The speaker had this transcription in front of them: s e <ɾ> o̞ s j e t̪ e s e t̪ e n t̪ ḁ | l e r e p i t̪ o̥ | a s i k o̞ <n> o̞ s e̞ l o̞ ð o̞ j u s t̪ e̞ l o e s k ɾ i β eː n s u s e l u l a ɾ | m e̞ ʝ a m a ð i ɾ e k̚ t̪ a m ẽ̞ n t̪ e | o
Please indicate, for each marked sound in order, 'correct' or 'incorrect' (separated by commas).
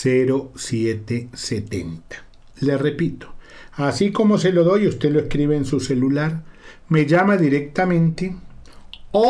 correct, incorrect